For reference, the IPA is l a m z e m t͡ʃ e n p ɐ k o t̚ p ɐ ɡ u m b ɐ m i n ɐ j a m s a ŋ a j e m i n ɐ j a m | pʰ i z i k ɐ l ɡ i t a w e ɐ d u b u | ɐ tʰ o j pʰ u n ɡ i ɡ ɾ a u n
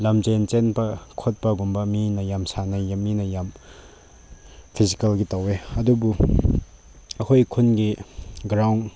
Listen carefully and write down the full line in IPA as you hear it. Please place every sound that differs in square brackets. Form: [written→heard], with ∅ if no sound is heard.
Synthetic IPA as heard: l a m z e [m→n] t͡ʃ e n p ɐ [k→kʰ] o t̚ p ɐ ɡ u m b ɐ m i n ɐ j a m s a [ŋ→n] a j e m i n ɐ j a m | pʰ i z i k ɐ l ɡ i t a w e ɐ d u b u | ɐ [tʰ→kʰ] o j [pʰ→kʰ] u n ɡ i ɡ ɾ a [u→w] n